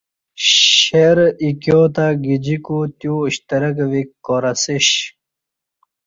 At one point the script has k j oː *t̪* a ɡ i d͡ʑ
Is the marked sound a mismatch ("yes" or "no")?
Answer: no